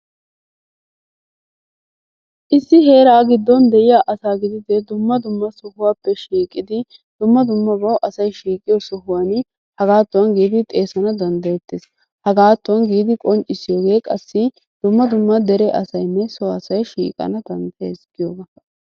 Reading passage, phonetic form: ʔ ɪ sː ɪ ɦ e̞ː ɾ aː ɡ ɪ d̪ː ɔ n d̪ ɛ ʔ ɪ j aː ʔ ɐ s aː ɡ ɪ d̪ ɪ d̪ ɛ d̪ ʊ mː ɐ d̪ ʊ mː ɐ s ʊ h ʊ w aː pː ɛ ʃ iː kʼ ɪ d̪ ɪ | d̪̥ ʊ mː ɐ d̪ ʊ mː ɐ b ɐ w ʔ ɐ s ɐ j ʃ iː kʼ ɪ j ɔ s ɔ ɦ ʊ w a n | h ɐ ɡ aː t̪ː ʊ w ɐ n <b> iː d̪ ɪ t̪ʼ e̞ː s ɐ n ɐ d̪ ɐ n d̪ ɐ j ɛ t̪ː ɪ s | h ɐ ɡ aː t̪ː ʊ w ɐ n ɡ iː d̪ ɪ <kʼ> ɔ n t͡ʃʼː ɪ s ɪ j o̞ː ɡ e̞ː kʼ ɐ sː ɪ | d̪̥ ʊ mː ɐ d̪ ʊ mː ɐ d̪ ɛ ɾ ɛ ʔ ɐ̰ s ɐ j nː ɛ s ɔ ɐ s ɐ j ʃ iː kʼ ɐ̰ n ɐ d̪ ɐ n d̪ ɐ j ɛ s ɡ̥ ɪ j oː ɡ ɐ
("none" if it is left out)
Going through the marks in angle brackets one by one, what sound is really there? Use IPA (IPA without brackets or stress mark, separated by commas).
ɡ, kʼ